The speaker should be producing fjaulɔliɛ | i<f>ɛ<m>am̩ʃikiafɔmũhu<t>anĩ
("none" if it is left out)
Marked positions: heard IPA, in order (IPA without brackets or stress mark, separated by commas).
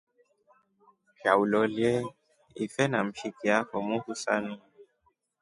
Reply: f, n, s